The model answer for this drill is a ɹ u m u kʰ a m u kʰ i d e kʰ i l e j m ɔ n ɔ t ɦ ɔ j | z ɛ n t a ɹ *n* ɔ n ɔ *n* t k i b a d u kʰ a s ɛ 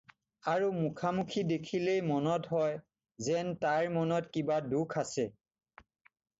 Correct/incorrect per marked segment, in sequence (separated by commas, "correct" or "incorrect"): incorrect, incorrect